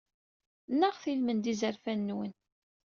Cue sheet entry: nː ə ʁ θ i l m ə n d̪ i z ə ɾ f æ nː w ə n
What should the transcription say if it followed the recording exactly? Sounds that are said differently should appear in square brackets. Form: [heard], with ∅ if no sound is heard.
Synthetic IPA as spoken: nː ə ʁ θ i l m ə n d̪ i z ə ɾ f æ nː w ə n